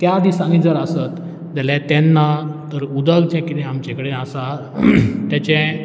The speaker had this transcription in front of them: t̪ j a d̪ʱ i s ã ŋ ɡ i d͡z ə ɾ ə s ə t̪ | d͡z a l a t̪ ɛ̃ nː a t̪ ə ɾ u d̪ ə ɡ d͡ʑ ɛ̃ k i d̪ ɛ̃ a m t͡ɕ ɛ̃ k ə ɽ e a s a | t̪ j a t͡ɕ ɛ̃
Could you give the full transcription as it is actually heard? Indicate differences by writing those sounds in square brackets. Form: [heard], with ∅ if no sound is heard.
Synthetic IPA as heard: t̪ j a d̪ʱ i s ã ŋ ɡ i d͡z ə ɾ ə s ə t̪ | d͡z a l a t̪ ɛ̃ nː a t̪ ə ɾ u d̪ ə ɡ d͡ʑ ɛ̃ k i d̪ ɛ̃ a m t͡ɕ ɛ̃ k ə ɽ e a s a | t̪ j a t͡ɕ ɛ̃

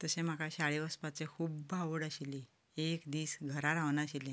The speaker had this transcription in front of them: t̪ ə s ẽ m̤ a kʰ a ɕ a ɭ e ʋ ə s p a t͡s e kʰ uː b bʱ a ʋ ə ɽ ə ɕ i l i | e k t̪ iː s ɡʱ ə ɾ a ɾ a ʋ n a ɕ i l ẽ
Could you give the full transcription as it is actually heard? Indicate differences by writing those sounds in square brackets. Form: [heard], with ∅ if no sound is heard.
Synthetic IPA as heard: t̪ ə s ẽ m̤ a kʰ a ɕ a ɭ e ʋ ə s p a t͡s e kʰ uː b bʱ a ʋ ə ɽ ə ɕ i l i | e k [d̪] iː s ɡʱ ə ɾ a ɾ a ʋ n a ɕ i l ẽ

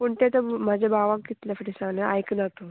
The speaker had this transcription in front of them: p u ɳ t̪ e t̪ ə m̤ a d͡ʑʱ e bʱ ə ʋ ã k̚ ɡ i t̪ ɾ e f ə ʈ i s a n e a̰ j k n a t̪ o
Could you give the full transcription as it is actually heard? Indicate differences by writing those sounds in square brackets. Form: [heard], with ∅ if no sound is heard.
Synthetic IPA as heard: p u ɳ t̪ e t̪ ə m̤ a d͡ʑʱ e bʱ [a] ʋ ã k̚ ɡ i t̪ [l] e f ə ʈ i s a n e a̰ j k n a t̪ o

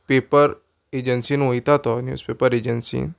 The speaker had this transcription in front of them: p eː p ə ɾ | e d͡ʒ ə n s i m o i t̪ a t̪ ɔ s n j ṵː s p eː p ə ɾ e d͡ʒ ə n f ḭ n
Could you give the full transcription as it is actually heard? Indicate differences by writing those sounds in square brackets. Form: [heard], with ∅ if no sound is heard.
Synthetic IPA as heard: p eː p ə ɾ | e d͡ʒ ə n s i [n] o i t̪ a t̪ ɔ [∅] n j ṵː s p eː p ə ɾ e d͡ʒ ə n [s] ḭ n

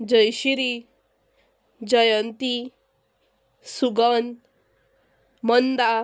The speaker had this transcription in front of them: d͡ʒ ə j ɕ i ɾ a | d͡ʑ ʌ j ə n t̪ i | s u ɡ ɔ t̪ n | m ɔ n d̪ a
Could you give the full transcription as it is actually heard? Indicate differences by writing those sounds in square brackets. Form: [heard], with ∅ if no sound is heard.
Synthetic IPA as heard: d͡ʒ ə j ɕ i ɾ [i] | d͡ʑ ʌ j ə n t̪ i | s u ɡ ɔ [∅] n | m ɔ n d̪ a

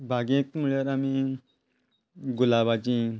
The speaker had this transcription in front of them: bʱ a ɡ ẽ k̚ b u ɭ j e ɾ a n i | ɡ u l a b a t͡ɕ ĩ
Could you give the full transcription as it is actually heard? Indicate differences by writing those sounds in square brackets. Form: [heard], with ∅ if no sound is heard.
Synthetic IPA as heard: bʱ a ɡ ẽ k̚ [m] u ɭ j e ɾ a [m] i | ɡ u l a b a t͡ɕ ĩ

